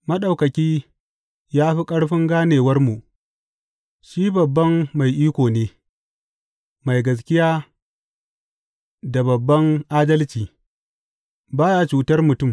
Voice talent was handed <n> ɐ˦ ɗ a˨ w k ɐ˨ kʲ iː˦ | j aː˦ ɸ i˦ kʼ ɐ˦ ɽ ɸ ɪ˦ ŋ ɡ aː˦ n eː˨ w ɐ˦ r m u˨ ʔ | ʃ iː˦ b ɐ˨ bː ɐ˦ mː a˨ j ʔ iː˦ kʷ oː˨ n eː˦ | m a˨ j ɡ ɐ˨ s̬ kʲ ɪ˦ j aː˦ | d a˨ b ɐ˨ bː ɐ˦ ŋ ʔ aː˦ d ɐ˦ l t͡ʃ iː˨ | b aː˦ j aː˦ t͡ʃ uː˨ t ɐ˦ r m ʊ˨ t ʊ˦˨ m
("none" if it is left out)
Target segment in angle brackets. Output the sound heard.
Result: m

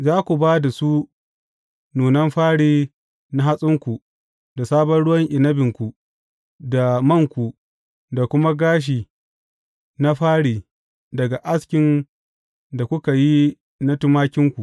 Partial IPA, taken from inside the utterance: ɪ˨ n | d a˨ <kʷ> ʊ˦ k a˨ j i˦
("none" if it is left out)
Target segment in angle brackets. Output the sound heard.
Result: kʷ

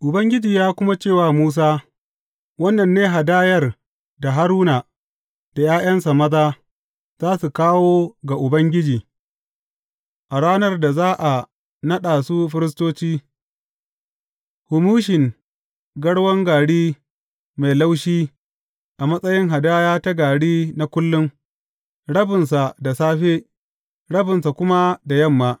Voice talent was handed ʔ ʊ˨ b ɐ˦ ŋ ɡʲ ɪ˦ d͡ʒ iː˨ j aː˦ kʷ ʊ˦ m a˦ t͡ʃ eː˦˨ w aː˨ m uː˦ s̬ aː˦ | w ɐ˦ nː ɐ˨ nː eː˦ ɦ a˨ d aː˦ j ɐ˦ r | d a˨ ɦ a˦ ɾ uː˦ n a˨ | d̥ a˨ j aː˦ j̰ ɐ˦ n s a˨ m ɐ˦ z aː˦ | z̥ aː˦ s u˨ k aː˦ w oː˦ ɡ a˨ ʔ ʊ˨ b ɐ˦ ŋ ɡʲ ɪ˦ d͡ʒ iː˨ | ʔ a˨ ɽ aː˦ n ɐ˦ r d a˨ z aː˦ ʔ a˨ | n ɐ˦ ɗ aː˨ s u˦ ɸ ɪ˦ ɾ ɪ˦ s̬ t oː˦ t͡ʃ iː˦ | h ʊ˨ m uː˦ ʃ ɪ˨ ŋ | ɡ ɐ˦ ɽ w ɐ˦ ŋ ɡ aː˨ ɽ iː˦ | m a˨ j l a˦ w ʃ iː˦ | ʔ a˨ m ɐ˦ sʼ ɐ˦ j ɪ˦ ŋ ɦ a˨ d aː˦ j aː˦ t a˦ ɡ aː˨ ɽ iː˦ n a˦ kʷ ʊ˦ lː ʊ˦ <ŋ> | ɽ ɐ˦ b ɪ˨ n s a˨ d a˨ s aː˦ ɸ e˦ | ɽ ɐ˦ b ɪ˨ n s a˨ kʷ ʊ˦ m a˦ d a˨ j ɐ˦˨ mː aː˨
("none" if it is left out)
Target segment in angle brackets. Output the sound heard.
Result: ŋ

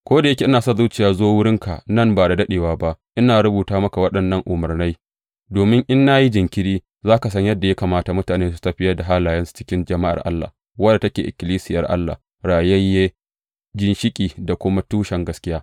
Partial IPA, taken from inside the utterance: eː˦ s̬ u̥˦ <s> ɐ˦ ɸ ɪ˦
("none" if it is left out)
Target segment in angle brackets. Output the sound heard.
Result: t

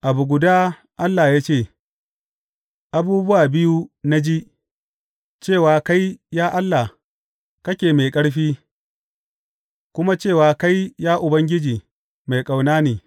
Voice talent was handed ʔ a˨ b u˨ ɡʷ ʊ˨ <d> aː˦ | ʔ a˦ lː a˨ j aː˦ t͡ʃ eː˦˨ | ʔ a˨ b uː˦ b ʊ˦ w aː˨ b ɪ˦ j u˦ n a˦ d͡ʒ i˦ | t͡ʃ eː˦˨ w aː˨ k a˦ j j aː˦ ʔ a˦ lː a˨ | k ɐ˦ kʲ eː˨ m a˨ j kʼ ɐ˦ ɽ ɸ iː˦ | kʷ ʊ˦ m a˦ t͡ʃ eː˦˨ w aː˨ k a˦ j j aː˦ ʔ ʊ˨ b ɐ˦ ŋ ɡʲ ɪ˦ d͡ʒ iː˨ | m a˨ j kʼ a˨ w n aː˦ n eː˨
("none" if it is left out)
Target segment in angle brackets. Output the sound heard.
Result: d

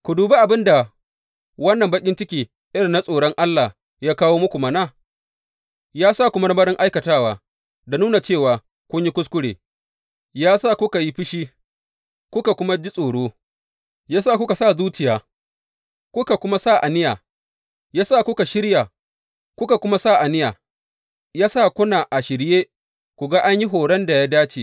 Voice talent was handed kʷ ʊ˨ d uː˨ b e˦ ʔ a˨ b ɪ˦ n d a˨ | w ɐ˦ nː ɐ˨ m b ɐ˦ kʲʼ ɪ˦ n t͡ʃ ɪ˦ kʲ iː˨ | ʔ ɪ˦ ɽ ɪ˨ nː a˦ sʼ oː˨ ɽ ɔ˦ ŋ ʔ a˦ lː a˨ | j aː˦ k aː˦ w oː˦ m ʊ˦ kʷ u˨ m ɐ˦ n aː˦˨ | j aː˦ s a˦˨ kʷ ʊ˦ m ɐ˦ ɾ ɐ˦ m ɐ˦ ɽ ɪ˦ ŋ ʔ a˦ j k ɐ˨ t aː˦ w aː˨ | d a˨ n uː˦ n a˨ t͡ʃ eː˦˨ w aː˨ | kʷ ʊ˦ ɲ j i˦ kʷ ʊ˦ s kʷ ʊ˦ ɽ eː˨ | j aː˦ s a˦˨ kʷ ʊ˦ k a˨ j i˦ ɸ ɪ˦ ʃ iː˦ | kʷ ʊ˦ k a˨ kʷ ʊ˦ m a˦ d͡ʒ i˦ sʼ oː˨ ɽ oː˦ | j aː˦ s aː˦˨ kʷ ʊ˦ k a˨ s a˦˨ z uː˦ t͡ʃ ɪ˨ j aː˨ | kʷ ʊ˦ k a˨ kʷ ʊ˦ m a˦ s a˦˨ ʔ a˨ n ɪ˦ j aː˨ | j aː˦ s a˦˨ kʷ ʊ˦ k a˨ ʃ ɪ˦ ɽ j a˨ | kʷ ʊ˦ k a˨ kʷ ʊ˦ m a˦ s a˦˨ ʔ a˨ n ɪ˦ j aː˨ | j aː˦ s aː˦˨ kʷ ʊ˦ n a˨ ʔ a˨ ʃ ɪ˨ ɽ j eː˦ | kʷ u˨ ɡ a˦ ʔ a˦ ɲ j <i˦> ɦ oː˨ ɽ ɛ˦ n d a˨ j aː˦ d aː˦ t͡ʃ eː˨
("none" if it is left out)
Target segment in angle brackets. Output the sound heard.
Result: i˦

